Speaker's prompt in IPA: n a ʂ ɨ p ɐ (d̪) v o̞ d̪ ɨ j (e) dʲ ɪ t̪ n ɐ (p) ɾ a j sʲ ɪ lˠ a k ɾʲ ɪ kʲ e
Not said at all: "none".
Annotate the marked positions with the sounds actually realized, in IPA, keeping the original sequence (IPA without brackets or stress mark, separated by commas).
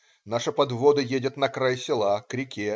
d̪, e, k